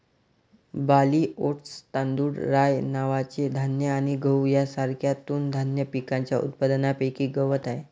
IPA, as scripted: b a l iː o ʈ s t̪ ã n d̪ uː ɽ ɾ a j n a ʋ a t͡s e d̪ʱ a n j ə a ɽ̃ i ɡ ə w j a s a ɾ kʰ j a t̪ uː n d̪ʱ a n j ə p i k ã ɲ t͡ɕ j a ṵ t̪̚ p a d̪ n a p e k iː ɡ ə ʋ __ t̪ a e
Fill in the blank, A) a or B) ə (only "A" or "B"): B